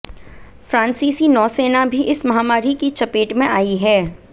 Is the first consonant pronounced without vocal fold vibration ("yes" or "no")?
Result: yes